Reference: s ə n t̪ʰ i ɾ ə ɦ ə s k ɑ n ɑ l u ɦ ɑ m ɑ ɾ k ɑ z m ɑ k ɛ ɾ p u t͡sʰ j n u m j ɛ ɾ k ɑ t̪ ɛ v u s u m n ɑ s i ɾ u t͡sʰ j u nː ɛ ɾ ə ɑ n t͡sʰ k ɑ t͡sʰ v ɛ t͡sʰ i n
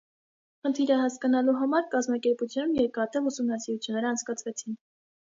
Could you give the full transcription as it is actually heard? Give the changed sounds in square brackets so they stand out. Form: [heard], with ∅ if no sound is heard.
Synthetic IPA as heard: [χ] ə n t̪ʰ i ɾ ə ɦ [ɑ] s k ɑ n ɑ l u ɦ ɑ m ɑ ɾ k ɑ z m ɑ k ɛ ɾ p u t͡sʰ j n u m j ɛ ɾ k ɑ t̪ ɛ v u s u m n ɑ s i ɾ u t͡sʰ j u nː ɛ ɾ ə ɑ n t͡sʰ k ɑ t͡sʰ v ɛ t͡sʰ i n